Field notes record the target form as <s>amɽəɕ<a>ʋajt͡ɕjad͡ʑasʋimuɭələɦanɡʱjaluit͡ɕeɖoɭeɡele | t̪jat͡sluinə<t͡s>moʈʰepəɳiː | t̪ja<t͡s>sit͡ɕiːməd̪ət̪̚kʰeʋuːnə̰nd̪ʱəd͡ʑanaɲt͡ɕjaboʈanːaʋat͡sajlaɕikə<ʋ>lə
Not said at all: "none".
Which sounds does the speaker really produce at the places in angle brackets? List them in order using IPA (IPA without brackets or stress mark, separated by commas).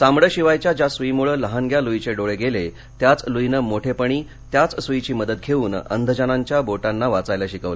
s, i, none, t͡s, ʋ